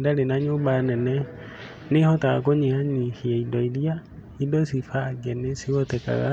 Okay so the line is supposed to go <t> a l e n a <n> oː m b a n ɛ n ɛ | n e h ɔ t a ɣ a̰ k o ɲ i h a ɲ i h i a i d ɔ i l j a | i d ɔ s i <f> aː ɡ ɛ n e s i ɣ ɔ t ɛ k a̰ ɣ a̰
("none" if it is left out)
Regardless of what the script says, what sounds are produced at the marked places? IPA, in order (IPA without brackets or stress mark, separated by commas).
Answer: d, ɲ, f